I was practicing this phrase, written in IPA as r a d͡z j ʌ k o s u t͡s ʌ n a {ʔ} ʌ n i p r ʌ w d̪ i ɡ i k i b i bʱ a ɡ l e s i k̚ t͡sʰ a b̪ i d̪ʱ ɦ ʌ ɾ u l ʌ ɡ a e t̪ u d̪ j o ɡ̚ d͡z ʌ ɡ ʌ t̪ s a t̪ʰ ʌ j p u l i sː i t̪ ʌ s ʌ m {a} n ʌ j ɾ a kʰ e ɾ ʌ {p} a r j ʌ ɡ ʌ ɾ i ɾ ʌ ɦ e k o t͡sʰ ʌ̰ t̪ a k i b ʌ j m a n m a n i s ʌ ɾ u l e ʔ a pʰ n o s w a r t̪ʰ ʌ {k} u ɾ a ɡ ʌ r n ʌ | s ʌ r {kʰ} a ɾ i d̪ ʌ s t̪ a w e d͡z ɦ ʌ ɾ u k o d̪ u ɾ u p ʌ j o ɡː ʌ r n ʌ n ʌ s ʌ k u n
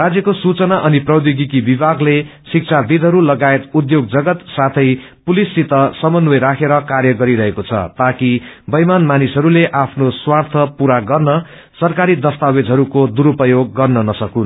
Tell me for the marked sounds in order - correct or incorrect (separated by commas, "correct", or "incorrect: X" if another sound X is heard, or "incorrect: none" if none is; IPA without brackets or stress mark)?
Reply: correct, incorrect: ʌ, incorrect: k, incorrect: p, incorrect: k